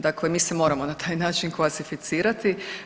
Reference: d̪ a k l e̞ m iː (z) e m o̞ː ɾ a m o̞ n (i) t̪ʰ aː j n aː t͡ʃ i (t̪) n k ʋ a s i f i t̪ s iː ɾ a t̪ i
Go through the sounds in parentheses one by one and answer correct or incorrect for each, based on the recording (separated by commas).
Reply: incorrect, incorrect, incorrect